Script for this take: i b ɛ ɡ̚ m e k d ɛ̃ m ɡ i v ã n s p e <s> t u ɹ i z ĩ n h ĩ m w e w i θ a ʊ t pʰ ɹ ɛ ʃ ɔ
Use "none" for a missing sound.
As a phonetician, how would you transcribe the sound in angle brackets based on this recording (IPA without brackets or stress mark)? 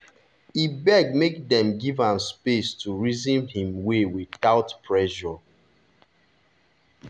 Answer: s